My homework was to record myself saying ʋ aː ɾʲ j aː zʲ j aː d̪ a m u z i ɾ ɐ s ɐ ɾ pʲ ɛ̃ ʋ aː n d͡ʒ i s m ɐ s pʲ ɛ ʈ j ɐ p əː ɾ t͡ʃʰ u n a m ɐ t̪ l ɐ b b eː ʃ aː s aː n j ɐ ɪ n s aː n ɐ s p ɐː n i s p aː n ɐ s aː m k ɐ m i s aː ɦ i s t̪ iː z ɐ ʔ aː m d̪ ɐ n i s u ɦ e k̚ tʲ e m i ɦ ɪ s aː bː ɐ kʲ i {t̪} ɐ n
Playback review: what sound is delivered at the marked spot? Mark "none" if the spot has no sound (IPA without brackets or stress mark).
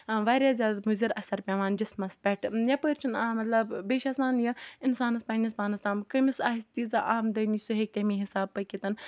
t̪